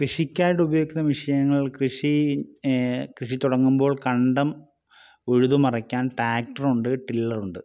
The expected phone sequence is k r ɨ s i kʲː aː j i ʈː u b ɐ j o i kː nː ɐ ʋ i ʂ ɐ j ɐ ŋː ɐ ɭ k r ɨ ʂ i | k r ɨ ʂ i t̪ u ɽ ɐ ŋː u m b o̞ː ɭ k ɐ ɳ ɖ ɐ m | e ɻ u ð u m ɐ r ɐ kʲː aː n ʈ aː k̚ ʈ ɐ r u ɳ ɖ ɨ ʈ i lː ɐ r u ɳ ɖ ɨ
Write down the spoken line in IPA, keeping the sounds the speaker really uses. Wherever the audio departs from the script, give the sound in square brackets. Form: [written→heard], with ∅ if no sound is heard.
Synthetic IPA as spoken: k r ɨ [s→ʂ] i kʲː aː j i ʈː u b ɐ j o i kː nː ɐ ʋ i ʂ ɐ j ɐ ŋː ɐ ɭ k r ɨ ʂ i | k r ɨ ʂ i t̪ u ɽ ɐ ŋː u m b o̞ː ɭ k ɐ ɳ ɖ ɐ m | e ɻ u ð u m ɐ r ɐ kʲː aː n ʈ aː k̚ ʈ ɐ r u ɳ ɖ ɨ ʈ i lː ɐ r u ɳ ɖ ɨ